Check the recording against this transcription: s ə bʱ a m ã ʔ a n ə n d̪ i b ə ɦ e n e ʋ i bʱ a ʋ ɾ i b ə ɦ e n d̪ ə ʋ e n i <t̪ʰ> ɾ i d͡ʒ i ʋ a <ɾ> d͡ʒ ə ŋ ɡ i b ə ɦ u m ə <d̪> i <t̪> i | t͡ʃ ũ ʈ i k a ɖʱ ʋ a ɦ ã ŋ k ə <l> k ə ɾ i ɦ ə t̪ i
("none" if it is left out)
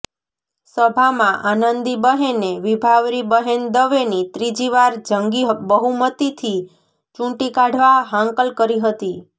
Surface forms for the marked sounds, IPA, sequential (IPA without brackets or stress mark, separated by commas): t̪, ɾ, t̪, t̪ʰ, l